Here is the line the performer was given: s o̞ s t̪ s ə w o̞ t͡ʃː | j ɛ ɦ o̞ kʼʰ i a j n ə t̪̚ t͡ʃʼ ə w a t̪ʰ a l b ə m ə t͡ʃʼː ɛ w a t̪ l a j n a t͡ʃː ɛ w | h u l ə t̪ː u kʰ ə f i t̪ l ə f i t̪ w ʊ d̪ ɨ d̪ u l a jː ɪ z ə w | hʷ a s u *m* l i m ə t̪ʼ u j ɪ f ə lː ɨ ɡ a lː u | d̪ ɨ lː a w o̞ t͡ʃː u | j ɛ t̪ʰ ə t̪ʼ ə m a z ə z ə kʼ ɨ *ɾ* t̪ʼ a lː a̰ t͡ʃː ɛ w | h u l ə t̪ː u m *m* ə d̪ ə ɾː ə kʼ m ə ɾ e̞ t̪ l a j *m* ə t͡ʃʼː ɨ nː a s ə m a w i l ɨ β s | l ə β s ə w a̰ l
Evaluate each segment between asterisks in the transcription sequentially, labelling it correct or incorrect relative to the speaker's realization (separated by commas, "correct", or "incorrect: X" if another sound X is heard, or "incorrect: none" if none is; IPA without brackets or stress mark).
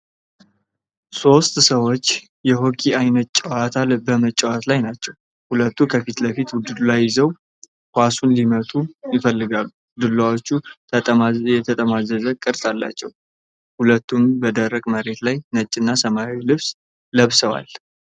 incorrect: n, correct, incorrect: b, incorrect: n